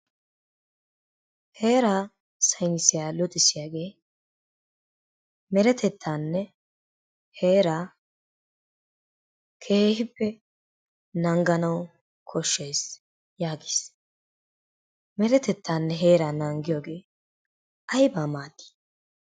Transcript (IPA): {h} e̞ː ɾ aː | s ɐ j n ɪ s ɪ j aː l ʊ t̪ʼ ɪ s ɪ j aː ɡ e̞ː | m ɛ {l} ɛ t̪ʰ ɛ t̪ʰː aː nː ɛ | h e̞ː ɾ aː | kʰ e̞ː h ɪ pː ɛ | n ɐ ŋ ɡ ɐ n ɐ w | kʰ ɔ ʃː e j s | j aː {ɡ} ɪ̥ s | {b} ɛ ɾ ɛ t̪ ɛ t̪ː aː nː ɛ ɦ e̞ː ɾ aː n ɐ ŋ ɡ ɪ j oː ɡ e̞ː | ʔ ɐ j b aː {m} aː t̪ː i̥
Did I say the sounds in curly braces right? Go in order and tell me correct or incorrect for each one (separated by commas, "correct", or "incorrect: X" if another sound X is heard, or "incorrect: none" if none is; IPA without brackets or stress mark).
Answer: correct, incorrect: ɾ, correct, incorrect: m, correct